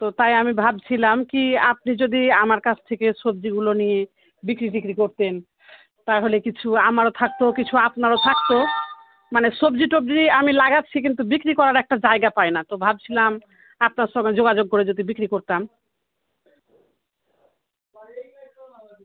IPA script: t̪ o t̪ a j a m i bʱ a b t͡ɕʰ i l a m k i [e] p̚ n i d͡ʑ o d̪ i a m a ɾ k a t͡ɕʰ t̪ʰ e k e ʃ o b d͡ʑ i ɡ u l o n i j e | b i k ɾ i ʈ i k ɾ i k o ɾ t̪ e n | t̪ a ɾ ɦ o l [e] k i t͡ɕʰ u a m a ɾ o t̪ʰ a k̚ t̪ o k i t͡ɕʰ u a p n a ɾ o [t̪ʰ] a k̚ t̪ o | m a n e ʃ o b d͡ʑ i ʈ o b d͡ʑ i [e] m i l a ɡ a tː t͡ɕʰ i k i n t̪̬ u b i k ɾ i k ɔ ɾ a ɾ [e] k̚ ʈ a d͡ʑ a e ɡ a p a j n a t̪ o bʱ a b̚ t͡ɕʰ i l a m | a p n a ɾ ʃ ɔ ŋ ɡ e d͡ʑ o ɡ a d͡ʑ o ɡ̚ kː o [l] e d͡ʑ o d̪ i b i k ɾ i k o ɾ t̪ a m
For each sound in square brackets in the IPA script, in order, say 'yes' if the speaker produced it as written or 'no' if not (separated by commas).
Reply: no, yes, yes, no, no, no